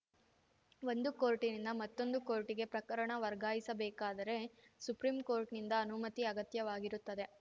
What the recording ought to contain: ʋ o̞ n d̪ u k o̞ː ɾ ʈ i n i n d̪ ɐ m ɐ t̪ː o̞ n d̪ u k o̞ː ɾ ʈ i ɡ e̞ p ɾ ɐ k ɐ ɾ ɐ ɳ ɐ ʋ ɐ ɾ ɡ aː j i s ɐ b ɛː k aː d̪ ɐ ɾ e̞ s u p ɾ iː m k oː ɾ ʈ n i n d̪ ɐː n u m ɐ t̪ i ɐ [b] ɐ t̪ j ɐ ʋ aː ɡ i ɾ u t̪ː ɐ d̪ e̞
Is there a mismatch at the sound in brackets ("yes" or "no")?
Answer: yes